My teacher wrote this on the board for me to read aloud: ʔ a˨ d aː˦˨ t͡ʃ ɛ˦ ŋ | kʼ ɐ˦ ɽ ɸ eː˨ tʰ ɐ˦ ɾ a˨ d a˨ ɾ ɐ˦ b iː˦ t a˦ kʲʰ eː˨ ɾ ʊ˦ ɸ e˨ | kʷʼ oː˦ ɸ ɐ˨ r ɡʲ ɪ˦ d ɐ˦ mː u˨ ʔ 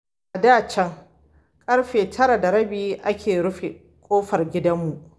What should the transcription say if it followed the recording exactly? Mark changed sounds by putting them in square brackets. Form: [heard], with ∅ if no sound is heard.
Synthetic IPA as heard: ʔ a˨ d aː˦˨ t͡ʃ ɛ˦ ŋ | kʼ ɐ˦ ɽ ɸ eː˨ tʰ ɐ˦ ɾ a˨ d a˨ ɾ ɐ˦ b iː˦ [ʔ] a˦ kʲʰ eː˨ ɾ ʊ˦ ɸ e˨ | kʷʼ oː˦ ɸ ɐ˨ r ɡʲ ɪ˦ d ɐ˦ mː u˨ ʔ